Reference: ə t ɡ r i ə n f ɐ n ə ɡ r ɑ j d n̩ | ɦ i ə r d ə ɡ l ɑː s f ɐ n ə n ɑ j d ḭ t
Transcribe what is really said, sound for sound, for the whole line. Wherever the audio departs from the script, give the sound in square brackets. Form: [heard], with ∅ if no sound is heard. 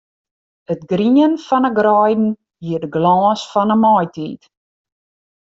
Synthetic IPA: ə t ɡ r i ə n f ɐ n ə ɡ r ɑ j d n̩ | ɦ i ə r d ə ɡ l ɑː s f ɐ n ə [m] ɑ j [t] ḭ t